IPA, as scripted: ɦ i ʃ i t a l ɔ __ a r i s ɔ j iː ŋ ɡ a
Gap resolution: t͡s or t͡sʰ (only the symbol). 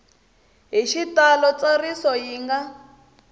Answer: t͡s